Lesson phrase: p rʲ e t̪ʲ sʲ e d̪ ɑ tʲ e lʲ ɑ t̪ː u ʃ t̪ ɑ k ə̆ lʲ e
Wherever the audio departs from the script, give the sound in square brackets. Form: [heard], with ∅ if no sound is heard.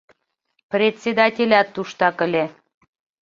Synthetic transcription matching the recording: p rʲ e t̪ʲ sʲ e d̪ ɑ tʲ e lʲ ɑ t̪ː u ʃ t̪ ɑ k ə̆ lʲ e